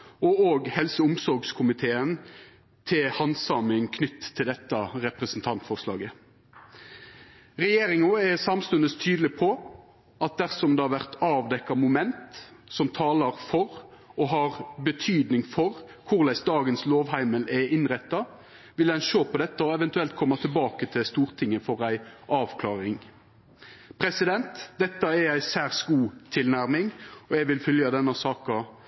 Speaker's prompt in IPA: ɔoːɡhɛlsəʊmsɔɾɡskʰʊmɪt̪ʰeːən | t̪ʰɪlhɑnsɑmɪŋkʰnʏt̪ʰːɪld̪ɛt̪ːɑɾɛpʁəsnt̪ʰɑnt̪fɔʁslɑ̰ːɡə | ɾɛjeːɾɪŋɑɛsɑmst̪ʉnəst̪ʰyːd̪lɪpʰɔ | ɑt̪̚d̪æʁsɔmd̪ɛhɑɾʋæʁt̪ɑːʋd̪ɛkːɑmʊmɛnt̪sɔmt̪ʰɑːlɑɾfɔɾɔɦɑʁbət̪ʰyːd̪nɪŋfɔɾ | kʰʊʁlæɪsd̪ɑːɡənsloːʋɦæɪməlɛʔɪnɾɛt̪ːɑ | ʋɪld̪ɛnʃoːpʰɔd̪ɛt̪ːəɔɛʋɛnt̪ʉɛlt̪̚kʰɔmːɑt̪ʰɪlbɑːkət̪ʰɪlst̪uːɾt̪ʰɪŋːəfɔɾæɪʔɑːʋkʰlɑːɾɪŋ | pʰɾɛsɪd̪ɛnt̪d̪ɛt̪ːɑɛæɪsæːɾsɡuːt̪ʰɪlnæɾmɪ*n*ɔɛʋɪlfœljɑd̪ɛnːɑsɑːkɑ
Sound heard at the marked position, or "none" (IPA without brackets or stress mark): ŋ